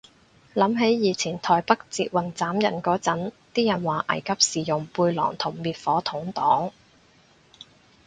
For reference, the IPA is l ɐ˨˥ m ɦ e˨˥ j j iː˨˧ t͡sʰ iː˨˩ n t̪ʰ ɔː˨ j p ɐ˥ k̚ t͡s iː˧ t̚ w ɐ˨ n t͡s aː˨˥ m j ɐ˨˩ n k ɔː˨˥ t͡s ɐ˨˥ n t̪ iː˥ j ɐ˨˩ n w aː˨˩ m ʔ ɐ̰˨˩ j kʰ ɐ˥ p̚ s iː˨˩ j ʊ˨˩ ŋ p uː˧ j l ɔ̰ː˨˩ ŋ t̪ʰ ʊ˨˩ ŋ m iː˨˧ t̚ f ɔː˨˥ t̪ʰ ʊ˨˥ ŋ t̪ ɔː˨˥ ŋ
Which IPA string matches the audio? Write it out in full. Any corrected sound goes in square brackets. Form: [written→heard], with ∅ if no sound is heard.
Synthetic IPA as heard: l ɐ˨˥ m ɦ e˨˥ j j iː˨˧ t͡sʰ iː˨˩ n t̪ʰ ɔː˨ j p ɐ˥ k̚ t͡s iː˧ t̚ w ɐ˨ n t͡s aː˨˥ m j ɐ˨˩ n k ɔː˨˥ t͡s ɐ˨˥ n t̪ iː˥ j ɐ˨˩ n w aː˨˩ [m→∅] ʔ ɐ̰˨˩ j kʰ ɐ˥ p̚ s iː˨˩ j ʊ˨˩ ŋ p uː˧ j l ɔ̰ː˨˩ ŋ t̪ʰ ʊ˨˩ ŋ m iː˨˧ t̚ f ɔː˨˥ t̪ʰ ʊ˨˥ ŋ t̪ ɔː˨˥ ŋ